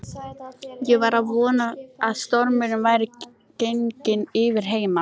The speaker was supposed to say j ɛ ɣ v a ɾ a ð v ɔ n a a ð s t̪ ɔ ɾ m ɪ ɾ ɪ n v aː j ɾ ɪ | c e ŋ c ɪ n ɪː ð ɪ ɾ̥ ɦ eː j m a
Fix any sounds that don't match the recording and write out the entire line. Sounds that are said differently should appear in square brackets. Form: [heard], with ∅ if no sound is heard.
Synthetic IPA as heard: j ɛ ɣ v a ɾ a ð v [ɔː] n a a ð s t̪ ɔ ɾ m ɪ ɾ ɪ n v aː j ɾ ɪ | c e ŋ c ɪ n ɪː [v] ɪ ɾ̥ ɦ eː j m a